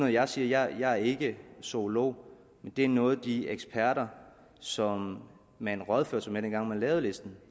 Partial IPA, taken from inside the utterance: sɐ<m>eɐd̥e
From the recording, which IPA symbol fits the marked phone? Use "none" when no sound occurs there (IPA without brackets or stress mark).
m